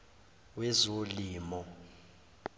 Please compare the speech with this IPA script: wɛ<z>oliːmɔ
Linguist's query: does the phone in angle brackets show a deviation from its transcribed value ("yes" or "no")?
no